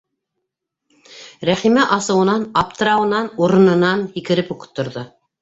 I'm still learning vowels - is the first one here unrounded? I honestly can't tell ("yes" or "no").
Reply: yes